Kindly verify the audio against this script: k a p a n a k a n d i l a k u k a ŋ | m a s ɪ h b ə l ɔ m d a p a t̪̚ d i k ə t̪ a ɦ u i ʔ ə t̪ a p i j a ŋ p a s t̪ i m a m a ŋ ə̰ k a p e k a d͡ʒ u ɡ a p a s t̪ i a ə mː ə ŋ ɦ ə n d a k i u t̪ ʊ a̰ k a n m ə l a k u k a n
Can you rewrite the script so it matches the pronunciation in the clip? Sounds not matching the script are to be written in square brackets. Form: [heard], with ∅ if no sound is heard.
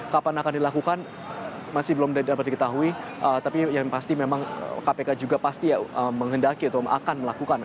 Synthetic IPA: k a p a n a k a n d i l a k u k a [n] | m a s ɪ h b ə l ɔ m d a p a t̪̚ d i k ə t̪ a ɦ u i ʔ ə t̪ a p i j a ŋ p a s t̪ i m [e] m a ŋ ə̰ k a p e k a d͡ʒ u ɡ a p a s t̪ i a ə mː ə ŋ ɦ ə n d a k i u t̪ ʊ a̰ k a n m ə l a k u k a n